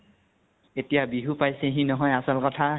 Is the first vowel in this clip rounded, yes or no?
no